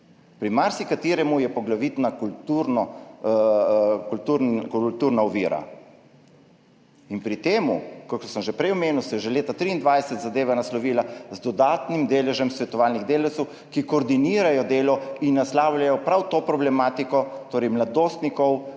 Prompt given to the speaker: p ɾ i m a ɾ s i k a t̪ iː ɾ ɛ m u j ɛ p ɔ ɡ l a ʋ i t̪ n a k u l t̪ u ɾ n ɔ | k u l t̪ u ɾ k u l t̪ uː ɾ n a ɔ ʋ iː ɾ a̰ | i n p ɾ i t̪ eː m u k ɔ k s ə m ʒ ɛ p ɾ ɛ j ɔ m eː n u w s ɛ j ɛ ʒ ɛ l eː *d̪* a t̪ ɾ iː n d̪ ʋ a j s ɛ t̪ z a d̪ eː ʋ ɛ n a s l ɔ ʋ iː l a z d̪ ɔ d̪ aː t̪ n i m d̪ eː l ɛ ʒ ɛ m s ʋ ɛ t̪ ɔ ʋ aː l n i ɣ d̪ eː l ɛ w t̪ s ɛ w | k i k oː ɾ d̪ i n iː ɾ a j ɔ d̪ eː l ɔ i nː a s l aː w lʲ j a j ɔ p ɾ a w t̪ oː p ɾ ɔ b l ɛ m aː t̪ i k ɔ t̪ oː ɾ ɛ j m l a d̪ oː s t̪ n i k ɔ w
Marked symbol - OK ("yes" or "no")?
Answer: no